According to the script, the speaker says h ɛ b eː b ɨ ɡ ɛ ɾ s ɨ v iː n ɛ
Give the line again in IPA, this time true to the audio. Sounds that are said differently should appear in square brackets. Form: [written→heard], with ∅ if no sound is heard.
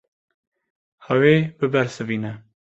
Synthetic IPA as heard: h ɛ [b→w] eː b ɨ [ɡ→b] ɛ ɾ s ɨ v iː n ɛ